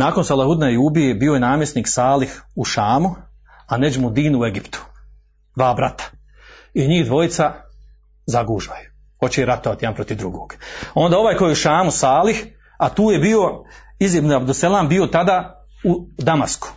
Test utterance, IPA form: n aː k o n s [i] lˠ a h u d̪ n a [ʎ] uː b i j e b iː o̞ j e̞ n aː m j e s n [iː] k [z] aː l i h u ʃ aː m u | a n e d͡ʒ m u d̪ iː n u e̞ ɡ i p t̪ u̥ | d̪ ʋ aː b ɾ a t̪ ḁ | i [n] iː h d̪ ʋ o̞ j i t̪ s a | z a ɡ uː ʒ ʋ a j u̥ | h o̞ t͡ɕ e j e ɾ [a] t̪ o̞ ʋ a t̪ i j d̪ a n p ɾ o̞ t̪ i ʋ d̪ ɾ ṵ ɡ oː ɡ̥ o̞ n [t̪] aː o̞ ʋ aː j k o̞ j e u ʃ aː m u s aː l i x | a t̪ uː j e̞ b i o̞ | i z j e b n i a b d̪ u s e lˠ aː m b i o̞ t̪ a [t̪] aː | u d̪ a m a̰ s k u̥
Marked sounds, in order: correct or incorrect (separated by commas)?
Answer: incorrect, incorrect, correct, incorrect, incorrect, correct, incorrect, incorrect